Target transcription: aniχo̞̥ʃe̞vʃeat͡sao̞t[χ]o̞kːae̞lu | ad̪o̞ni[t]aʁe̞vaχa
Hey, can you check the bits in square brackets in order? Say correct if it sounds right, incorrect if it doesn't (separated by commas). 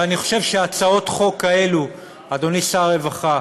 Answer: correct, incorrect